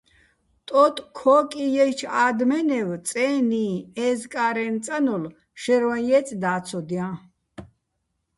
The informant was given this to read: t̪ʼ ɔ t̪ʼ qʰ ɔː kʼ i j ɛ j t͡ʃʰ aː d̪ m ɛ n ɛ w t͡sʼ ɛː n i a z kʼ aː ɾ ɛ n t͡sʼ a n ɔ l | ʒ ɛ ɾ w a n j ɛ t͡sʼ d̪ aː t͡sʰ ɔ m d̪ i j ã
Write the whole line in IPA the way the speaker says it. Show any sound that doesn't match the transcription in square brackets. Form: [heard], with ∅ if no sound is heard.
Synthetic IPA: t̪ʼ ɔ t̪ʼ [kʰ] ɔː kʼ i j ɛ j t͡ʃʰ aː d̪ m ɛ n ɛ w t͡sʼ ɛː n i [ɛ] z kʼ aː ɾ ɛ n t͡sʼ a n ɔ l | [ʃ] ɛ ɾ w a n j ɛ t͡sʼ d̪ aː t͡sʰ ɔ [∅] d̪ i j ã